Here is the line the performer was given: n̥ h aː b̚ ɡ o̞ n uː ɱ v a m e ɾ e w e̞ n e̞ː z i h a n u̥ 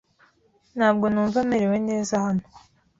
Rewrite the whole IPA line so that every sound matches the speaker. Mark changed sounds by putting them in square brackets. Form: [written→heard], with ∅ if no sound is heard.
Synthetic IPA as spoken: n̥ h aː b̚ ɡ o̞ n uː ɱ v a m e ɾ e w e̞ n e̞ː z [i→a] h a n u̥